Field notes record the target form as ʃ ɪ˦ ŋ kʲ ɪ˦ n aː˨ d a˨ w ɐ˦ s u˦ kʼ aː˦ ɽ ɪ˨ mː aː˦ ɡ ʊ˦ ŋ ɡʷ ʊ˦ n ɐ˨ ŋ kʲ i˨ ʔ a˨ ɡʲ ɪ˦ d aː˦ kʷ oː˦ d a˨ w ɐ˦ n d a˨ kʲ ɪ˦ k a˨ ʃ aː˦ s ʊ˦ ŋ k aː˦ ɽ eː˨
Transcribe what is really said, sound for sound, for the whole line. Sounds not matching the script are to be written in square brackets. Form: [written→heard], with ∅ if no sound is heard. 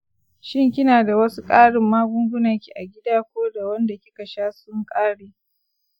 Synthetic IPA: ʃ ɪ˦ ŋ kʲ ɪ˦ n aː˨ d a˨ w ɐ˦ s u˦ kʼ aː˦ ɽ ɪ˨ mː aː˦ ɡ ʊ˦ ŋ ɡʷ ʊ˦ n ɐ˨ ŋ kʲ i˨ ʔ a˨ ɡʲ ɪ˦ d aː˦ kʷ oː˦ d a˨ w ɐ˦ n d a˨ kʲ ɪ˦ k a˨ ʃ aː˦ s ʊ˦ ŋ [k→kʼ] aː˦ ɽ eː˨